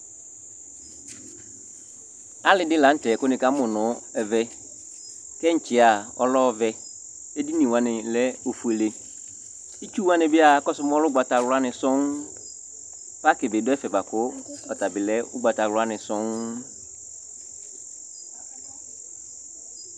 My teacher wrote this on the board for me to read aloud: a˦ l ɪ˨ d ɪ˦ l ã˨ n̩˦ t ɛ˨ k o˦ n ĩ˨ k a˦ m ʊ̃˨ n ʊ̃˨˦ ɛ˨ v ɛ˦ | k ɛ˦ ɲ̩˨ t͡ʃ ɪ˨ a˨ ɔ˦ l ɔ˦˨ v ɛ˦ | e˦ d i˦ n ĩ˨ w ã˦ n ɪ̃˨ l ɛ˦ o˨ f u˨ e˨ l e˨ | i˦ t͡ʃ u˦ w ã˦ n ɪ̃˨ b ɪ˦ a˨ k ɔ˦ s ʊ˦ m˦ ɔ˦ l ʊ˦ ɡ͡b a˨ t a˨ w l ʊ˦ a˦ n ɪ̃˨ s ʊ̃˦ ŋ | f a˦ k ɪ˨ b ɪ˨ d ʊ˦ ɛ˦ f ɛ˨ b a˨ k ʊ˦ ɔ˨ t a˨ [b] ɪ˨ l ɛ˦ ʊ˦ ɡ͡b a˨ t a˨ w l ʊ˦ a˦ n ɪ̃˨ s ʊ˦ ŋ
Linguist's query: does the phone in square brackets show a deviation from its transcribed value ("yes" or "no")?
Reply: no